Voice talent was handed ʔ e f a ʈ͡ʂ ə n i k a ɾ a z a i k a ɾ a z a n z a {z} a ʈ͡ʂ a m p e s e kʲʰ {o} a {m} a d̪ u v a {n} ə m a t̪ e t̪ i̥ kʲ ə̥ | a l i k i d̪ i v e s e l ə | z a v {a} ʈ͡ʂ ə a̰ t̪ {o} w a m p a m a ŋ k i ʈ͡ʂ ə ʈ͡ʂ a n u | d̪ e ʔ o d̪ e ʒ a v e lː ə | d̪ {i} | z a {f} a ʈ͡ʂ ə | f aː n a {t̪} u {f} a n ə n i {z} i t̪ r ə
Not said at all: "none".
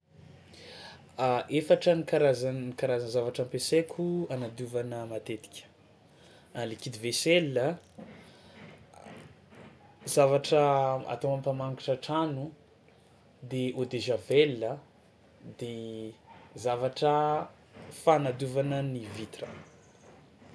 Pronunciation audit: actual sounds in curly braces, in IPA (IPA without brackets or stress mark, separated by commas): v, u, n, n, a, o, e, v, d̪, v, v